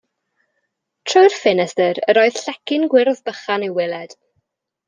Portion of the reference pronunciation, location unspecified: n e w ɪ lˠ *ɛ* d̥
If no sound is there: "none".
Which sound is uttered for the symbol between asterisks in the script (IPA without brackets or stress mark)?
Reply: ɛ